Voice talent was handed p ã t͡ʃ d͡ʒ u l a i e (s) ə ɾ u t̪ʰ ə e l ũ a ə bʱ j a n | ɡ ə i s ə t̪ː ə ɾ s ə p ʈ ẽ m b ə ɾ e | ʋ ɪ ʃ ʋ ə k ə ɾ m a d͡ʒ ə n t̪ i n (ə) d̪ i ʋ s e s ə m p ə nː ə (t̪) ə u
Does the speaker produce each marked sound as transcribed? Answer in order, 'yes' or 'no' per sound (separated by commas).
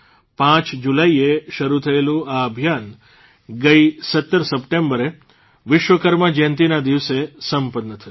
no, no, no